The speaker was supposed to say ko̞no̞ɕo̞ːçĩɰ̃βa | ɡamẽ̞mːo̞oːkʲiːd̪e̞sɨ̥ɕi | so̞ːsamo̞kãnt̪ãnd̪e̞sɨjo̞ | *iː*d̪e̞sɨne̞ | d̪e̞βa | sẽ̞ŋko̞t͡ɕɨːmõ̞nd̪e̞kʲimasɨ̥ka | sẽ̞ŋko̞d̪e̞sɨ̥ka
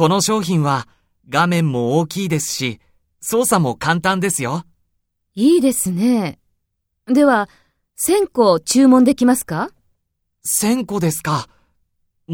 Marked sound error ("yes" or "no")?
no